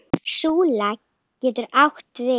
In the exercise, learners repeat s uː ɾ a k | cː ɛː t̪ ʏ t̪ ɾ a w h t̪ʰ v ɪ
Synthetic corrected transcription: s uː l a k | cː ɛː t̪ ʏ ɾ a w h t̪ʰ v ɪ